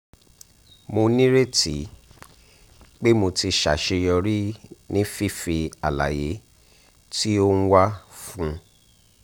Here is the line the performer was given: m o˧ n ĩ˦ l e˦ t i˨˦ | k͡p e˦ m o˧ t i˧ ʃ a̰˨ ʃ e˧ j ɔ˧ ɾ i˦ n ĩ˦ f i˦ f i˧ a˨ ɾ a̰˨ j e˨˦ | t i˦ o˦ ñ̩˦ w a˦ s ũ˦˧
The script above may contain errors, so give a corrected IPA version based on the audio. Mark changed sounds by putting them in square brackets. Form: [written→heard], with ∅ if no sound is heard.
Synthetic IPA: m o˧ n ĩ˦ [l→ɾ] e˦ t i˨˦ | k͡p e˦ m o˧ t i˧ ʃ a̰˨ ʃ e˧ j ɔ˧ ɾ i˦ n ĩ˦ f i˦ f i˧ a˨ [ɾ→l] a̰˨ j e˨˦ | t i˦ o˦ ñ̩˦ w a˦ [s→f] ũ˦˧

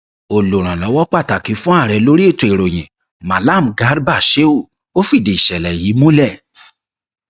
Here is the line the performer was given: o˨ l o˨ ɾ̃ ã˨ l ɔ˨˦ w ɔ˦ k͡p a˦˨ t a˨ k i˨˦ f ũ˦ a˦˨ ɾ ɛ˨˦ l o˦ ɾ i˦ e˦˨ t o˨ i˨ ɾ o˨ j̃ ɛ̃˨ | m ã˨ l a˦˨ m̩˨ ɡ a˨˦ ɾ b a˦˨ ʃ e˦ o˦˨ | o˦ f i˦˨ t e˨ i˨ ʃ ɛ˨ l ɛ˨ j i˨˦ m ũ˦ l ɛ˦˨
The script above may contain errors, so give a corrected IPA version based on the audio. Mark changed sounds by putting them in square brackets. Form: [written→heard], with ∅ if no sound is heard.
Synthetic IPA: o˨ l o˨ ɾ̃ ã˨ l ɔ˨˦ w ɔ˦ k͡p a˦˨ t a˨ k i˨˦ f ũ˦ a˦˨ ɾ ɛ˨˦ l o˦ ɾ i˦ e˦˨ t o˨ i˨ ɾ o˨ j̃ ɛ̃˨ | m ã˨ l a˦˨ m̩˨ ɡ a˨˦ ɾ b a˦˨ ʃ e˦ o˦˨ | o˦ f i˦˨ [t→d] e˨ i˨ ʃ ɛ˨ l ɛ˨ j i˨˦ m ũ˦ l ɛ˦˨

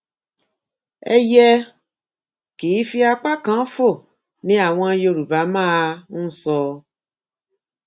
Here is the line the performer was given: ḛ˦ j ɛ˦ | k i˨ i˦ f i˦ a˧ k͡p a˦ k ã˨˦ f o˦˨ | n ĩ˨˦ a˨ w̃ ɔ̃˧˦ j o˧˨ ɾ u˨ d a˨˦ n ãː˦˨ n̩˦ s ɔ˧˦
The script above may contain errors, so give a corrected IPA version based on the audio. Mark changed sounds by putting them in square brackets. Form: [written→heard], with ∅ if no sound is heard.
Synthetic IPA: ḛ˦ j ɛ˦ | k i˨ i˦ f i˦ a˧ k͡p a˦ k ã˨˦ f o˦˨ | n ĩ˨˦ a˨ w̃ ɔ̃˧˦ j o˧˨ ɾ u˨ [d→b] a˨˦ [n→m] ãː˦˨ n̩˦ s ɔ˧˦

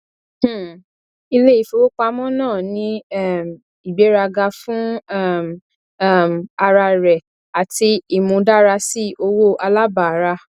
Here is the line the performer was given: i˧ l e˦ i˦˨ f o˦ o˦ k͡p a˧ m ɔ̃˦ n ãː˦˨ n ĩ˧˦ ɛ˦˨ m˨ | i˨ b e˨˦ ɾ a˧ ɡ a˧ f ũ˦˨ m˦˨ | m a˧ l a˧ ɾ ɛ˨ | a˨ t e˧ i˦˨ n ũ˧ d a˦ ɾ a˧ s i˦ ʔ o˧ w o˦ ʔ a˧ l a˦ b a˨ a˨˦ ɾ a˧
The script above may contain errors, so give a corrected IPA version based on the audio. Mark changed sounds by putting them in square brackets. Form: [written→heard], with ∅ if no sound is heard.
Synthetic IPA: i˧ l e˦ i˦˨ f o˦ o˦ k͡p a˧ m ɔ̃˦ n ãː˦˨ n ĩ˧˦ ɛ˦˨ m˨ | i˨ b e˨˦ ɾ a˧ ɡ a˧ f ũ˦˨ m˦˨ | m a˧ [l→ɾ] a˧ ɾ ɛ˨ | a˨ t [e˧→i˧] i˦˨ [n→m] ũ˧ d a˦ ɾ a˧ s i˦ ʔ o˧ w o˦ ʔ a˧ l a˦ b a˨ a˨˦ ɾ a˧

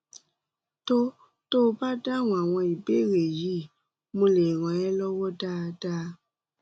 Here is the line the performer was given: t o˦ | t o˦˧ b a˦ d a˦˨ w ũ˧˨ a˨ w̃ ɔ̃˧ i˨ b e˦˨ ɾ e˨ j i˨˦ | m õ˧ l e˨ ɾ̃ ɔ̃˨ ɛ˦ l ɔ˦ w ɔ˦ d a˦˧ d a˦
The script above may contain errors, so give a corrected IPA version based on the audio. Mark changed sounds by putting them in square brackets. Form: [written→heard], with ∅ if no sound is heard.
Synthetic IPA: t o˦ | t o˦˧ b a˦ d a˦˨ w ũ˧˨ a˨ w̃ ɔ̃˧ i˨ b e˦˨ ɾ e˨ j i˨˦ | m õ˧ l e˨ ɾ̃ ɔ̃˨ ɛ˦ l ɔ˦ w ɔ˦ d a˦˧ d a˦

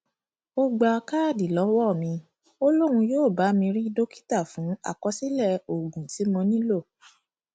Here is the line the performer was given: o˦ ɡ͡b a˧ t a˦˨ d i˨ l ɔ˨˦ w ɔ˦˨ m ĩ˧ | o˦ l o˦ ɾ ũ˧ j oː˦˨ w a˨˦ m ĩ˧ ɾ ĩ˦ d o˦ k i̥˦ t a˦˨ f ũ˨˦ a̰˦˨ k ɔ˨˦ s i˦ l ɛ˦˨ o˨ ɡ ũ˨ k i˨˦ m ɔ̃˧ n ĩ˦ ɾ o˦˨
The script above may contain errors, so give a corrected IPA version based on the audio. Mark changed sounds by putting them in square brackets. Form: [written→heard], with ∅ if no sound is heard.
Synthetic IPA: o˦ ɡ͡b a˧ [t→k] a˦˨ d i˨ l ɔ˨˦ w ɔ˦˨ m ĩ˧ | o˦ l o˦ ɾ ũ˧ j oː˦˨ [w→b] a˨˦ m ĩ˧ ɾ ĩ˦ d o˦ k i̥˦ t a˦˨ f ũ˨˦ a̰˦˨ k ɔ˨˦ s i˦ l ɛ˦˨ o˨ ɡ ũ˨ [k→t] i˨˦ m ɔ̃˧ n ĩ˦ [ɾ→l] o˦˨

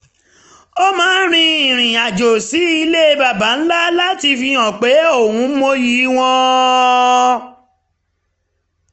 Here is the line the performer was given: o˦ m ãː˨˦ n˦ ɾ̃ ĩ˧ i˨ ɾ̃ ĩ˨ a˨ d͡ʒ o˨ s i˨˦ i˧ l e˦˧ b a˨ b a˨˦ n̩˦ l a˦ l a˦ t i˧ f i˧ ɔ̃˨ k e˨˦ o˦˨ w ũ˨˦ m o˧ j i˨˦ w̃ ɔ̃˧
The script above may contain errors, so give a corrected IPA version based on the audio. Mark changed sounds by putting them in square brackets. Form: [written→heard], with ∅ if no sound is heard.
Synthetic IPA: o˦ m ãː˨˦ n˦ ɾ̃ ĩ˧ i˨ ɾ̃ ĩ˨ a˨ d͡ʒ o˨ s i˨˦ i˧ l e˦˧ b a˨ b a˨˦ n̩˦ l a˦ l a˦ t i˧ f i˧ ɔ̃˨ [k→k͡p] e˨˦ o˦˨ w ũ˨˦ m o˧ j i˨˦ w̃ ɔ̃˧

